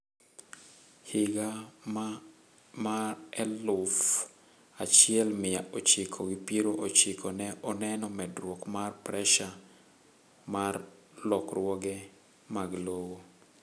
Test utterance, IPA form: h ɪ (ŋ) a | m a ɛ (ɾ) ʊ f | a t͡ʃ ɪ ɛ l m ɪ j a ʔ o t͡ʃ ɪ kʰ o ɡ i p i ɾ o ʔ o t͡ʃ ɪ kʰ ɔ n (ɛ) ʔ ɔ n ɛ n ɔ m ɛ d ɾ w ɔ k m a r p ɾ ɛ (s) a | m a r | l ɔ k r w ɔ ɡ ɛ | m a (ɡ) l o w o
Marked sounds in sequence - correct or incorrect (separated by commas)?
incorrect, incorrect, correct, incorrect, correct